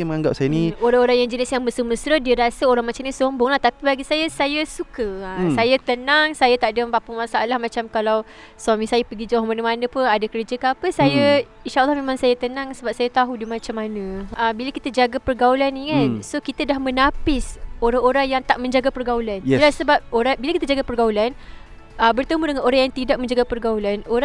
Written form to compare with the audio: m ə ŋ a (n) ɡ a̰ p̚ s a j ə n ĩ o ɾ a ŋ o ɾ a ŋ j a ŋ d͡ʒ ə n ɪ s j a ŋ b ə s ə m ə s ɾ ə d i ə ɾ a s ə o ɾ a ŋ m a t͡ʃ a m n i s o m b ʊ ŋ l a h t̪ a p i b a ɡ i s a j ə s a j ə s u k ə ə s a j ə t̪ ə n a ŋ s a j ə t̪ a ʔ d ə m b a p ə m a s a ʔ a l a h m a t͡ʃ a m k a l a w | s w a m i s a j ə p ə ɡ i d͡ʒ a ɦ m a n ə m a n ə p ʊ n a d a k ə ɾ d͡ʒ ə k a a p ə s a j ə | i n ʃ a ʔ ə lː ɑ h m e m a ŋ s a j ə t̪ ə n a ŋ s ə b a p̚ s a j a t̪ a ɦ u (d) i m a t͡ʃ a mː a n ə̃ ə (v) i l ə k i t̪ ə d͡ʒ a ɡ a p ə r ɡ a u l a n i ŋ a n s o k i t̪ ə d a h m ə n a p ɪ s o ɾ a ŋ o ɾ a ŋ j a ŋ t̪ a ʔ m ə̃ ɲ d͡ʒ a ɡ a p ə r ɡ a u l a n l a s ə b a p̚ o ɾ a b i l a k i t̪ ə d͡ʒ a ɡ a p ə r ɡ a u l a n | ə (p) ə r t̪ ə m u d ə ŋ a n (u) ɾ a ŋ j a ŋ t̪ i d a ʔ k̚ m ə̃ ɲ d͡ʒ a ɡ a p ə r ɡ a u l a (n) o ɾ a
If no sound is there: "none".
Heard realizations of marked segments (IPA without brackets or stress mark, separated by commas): ŋ, d, b, b, o, n